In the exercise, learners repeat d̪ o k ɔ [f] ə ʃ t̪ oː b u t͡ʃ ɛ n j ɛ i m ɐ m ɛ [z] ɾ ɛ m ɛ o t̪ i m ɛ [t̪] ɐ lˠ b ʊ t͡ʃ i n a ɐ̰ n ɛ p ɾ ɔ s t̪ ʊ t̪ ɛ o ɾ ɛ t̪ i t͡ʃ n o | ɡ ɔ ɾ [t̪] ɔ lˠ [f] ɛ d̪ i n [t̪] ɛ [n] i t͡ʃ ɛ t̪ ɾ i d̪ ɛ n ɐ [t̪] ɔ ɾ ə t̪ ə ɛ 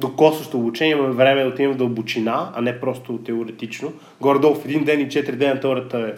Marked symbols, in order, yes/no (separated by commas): no, no, no, no, yes, no, yes, yes